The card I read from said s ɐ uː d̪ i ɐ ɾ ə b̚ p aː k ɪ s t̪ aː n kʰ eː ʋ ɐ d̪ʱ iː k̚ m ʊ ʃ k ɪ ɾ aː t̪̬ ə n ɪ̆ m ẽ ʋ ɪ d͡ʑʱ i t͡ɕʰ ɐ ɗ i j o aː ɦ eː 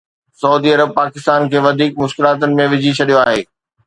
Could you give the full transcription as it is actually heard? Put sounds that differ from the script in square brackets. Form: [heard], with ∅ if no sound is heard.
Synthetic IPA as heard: s ɐ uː d̪ i ɐ ɾ ə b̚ p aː k ɪ s t̪ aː n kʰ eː ʋ ɐ d̪ʱ iː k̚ m ʊ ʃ k ɪ [l] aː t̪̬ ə n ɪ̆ m ẽ ʋ ɪ d͡ʑʱ i t͡ɕʰ ɐ ɗ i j o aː ɦ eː